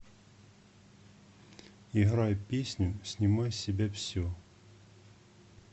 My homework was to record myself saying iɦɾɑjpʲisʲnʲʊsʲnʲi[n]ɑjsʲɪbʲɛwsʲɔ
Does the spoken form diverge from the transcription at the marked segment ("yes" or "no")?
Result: yes